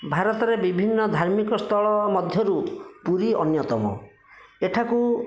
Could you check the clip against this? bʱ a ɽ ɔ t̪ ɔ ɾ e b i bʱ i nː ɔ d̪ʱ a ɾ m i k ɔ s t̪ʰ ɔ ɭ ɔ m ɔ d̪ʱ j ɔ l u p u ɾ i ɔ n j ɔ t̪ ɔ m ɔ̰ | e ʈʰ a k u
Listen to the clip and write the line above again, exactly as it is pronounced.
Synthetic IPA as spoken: bʱ a ɾ ɔ t̪ ɔ ɾ e b i bʱ i nː ɔ d̪ʱ a ɾ m i k ɔ s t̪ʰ ɔ ɭ ɔ m ɔ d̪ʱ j ɔ ɾ u p u ɾ i ɔ n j ɔ t̪ ɔ m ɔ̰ | e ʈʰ a k u